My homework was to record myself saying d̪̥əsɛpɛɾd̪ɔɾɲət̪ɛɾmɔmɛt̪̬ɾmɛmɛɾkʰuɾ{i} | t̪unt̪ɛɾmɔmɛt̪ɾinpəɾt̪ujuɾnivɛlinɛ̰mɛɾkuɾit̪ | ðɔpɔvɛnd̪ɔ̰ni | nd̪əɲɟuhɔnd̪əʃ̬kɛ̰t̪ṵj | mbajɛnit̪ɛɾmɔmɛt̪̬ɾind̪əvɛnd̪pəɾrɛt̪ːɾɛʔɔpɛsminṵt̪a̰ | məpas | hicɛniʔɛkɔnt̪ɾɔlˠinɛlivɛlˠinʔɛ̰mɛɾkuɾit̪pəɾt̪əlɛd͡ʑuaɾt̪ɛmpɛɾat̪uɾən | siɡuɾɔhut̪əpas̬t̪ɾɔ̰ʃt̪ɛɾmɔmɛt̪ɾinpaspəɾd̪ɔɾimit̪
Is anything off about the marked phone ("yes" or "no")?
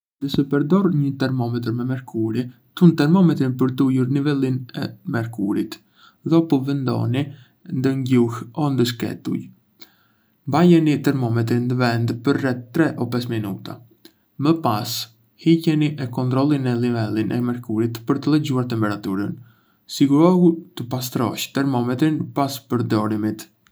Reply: no